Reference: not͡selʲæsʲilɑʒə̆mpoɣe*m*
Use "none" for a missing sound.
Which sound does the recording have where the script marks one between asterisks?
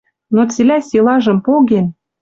n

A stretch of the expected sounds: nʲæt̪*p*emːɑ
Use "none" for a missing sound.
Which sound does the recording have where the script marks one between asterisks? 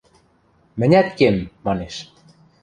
k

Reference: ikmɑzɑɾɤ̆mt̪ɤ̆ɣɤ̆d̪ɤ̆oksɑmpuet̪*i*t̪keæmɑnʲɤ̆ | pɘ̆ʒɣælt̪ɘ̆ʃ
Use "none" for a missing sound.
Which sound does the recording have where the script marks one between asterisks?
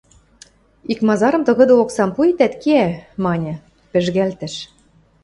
æ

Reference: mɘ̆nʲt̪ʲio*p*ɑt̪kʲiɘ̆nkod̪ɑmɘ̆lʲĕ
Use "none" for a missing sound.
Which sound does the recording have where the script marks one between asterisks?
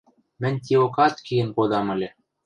k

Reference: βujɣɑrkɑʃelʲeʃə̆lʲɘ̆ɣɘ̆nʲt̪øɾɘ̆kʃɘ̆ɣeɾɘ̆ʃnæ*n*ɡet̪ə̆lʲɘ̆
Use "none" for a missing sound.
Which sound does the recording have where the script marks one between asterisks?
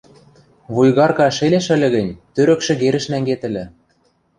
ŋ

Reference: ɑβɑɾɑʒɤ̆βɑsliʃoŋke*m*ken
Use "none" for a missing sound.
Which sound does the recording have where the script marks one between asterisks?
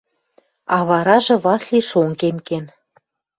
m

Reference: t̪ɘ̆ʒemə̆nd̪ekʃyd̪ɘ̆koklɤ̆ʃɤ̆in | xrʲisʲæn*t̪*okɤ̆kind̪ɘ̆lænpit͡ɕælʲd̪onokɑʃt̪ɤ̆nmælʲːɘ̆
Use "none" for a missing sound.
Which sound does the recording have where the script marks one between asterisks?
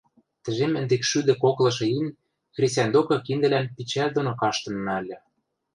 d̪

